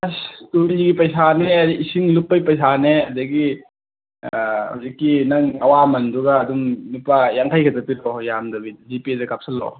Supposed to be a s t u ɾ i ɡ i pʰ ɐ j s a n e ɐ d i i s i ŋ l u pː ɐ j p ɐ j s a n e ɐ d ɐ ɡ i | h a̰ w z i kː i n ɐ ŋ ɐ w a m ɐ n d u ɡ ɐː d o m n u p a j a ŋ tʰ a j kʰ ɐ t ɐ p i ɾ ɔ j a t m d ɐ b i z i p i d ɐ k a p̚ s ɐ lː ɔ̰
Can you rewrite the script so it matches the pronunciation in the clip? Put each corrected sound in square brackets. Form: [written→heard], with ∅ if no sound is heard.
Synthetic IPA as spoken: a s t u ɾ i ɡ i [pʰ→p] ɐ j s a n e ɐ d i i s i ŋ l u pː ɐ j p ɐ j s a n e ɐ d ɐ ɡ i | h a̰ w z i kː i n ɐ ŋ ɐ w a m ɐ n d u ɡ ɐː d [o→u] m n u p a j a ŋ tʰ a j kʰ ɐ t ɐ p i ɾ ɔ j a [t→∅] m d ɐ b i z i p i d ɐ k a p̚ s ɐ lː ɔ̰

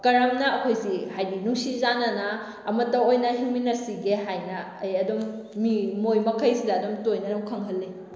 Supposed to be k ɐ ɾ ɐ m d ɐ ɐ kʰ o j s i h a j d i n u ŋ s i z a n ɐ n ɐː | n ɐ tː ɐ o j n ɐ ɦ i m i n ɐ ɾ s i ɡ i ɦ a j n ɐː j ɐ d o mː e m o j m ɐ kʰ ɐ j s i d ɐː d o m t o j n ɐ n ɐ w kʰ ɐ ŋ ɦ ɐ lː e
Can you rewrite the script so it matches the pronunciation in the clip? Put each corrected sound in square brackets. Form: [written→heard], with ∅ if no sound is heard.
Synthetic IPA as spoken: k ɐ ɾ ɐ m [d→n] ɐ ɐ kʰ o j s i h a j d i n u ŋ s i z a n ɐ n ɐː | [n→m] ɐ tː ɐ o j n ɐ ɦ i m i n ɐ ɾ s i ɡ [i→e] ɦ a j n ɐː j ɐ d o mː [e→i] m o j m ɐ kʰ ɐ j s i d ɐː d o m t o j n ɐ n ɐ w kʰ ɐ ŋ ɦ ɐ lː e

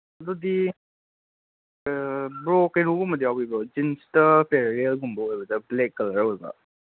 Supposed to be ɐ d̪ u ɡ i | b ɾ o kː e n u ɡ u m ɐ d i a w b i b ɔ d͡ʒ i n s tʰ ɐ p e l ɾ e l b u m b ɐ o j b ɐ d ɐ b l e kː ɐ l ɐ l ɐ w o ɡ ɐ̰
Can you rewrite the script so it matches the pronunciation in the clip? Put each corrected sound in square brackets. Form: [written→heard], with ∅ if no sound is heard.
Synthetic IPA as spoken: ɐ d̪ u [ɡ→d] i | b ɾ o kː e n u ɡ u m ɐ d i a w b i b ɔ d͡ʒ i n s [tʰ→t] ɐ p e [l→ɾ] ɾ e l [b→ɡ] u m b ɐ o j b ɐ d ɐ b l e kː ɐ l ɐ [l→ɾ] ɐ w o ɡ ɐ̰

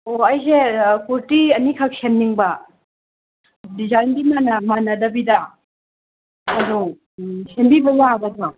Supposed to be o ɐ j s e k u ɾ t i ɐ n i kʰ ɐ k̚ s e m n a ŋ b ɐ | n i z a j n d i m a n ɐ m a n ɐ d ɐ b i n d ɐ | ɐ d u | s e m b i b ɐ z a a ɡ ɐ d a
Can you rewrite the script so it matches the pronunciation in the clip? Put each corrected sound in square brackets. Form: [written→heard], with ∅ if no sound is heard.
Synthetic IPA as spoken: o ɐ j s e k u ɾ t i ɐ n i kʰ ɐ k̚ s e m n [a→i] ŋ b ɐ | [n→d] i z a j n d i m a n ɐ m a n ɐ d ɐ b i [n→∅] d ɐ | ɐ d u | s e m b i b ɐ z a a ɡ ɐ d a

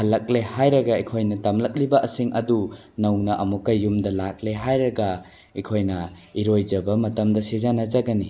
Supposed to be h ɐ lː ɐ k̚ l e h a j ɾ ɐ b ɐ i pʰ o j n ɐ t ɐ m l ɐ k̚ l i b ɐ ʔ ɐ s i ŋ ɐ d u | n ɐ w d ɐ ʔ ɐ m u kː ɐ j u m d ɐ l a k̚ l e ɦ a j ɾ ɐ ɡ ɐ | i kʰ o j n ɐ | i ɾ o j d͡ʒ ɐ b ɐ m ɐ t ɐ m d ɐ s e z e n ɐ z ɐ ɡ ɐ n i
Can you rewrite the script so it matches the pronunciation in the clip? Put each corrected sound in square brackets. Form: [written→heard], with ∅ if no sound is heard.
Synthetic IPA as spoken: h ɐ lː ɐ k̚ l e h a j ɾ ɐ [b→ɡ] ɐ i [pʰ→kʰ] o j n ɐ t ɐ m l ɐ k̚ l i b ɐ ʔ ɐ s i ŋ ɐ d u | n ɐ w [d→n] ɐ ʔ ɐ m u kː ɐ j u m d ɐ l a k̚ l e ɦ a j ɾ ɐ ɡ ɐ | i kʰ o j n ɐ | i ɾ o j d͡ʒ ɐ b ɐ m ɐ t ɐ m d ɐ s e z [e→a] n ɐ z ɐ ɡ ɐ n i

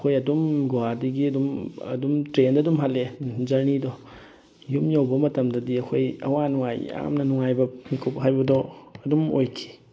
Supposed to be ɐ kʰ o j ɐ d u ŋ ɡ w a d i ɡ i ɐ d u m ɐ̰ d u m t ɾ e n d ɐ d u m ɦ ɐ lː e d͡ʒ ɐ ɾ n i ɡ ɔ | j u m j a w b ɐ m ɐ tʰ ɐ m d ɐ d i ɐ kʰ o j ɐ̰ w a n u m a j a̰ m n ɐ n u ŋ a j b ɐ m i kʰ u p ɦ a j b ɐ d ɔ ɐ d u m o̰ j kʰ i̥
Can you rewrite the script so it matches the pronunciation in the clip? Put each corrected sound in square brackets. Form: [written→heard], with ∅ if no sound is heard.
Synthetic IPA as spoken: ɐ kʰ o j ɐ d u [ŋ→m] ɡ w a d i ɡ i ɐ d u m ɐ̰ d u m t ɾ e n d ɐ d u m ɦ [ɐ→a] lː e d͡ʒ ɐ ɾ n i [ɡ→d] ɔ | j u m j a w b ɐ m ɐ [tʰ→t] ɐ m d ɐ d i ɐ kʰ o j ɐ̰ w a n u [m→ŋ] a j a̰ m n ɐ n u ŋ a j b ɐ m i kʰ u p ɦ a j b ɐ d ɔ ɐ d u m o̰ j kʰ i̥

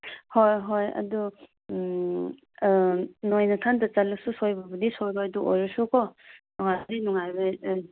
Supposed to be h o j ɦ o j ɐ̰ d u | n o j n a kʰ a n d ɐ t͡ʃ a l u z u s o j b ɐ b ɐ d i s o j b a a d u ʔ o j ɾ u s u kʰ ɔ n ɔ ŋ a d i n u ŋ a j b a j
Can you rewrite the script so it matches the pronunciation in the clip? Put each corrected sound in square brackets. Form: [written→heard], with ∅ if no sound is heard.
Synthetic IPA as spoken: h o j ɦ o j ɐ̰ d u | n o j n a [kʰ→tʰ] a n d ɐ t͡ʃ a l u [z→s] u s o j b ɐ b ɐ d i s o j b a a d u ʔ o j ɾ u s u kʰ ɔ n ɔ ŋ a d i n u ŋ a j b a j

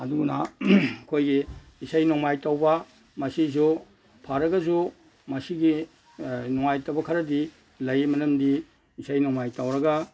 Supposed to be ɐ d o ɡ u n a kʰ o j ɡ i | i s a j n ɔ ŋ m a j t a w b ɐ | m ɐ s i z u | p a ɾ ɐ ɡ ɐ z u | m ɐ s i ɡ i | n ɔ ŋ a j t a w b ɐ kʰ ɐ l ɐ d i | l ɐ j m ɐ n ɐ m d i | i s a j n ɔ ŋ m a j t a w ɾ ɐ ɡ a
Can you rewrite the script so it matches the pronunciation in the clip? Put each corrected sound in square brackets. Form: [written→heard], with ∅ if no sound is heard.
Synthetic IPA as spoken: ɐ d [o→u] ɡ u n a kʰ o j ɡ i | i s a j n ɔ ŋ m a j t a w b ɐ | m ɐ s i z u | [p→pʰ] a ɾ ɐ ɡ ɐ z u | m ɐ s i ɡ i | n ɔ ŋ a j t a w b ɐ kʰ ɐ [l→ɾ] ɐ d i | l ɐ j m ɐ n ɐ m d i | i s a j n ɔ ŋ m a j t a w ɾ ɐ ɡ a

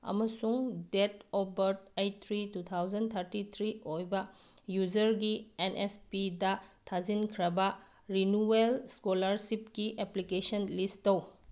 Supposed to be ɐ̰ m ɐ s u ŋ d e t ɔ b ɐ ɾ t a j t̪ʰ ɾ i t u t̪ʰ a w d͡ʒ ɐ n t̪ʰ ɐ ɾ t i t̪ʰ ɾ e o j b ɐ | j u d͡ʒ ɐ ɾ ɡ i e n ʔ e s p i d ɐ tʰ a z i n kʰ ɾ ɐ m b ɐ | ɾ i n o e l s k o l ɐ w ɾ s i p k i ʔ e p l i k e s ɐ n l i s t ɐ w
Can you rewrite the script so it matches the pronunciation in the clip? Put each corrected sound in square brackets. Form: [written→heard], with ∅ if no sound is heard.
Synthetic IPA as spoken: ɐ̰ m ɐ s u ŋ d e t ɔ b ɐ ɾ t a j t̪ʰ ɾ i t u t̪ʰ a w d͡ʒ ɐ n t̪ʰ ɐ ɾ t i t̪ʰ ɾ [e→i] o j b ɐ | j u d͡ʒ ɐ ɾ ɡ i e n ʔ e s p i d ɐ tʰ a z i n kʰ ɾ ɐ [m→∅] b ɐ | ɾ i n [o→u] e l s k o l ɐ [w→∅] ɾ s i p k i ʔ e p l i k e s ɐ n l i s t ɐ w

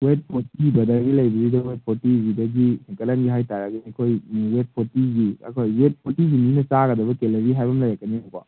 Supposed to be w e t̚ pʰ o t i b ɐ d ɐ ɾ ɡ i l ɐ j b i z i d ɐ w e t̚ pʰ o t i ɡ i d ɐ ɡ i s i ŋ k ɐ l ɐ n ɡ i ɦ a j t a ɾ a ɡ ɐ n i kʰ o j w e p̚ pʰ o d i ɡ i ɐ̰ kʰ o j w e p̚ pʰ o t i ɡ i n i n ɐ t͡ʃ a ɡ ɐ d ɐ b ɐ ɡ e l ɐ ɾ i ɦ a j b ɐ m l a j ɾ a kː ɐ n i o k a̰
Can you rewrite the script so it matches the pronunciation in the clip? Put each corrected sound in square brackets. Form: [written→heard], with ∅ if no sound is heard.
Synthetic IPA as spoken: w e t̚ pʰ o t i b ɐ d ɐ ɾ ɡ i l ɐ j b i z i d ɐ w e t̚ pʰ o t i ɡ i d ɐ ɡ i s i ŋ k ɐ l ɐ n ɡ i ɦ a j t a ɾ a ɡ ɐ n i kʰ o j w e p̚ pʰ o [d→t] i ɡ i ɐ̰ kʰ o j w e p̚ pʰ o t i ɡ i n i n ɐ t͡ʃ a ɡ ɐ d ɐ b ɐ [ɡ→k] e l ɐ ɾ i ɦ a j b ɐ m l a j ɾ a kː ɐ n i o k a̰

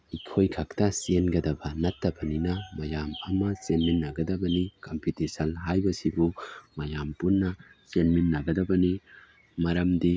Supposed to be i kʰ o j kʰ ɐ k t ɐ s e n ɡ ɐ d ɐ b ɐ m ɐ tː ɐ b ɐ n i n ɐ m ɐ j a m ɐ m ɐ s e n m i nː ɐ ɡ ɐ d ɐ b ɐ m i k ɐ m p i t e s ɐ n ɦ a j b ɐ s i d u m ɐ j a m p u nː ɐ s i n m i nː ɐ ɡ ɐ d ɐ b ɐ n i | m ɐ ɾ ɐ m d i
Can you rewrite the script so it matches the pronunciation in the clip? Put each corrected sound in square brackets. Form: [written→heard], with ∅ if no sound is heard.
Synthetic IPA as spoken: i kʰ o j kʰ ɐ k t ɐ s e n ɡ ɐ d ɐ b ɐ [m→n] ɐ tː ɐ b ɐ n i n ɐ m ɐ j a m ɐ m ɐ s e n m i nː ɐ ɡ ɐ d ɐ b ɐ [m→n] i k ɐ m p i t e s ɐ n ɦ a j b ɐ s i [d→b] u m ɐ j a m p u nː ɐ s [i→e] n m i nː ɐ ɡ ɐ d ɐ b ɐ n i | m ɐ ɾ ɐ m d i

